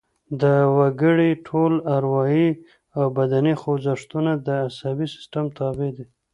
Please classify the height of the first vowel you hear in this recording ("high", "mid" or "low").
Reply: mid